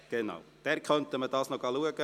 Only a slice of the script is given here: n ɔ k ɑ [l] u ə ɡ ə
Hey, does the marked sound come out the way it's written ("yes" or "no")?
yes